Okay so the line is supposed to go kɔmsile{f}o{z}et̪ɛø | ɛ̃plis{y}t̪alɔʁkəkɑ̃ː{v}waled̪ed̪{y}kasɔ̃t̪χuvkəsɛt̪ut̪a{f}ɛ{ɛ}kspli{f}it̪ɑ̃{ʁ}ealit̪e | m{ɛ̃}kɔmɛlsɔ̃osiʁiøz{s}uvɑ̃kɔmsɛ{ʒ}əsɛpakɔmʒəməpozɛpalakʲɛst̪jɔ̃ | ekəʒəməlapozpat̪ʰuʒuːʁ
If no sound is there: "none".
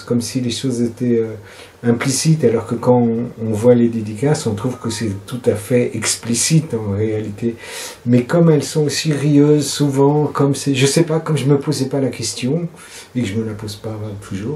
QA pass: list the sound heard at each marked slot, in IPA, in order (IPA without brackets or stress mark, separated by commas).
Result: ʃ, z, i, v, i, f, ɛ, s, ʁ, ɛ, s, ʒ